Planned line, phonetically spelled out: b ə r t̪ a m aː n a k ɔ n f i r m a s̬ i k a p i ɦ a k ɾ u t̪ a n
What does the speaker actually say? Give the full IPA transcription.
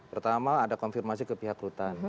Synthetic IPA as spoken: p ə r t̪ a m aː d a k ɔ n f i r m a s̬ i k ə p i ɦ a k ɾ u t̪ a n